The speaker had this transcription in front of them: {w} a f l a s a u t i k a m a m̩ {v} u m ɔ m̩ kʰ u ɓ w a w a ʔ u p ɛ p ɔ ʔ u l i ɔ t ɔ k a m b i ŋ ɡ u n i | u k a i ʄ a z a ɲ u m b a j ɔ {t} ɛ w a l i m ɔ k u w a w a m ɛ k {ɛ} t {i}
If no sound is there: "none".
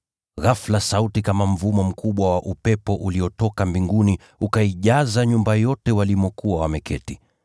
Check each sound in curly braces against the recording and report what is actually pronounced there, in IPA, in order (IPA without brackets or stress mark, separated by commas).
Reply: ɣ, v, t, ɛ, i